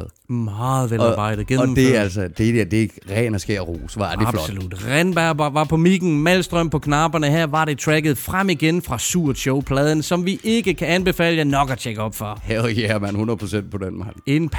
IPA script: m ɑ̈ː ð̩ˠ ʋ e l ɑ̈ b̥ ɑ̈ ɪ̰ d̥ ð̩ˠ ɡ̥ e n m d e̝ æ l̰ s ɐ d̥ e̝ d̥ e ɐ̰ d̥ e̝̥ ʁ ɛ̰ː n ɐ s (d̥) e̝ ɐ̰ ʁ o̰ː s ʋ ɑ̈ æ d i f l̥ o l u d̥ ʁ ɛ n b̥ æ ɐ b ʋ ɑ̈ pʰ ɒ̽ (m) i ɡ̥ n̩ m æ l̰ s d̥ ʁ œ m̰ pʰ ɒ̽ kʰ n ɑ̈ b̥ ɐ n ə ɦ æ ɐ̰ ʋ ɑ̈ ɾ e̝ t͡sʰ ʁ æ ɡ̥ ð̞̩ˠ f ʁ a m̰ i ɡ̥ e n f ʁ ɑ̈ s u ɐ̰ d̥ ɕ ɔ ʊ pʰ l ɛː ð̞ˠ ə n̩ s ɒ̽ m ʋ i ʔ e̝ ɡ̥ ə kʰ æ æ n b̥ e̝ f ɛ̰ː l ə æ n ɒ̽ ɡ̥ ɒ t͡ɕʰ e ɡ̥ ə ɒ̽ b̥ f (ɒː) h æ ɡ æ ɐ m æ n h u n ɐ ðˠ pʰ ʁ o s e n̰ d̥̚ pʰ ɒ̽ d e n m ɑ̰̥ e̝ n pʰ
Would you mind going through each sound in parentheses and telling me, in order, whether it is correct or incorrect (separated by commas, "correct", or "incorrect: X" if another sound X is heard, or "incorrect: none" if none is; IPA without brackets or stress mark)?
incorrect: ɡ̥, correct, incorrect: ɒ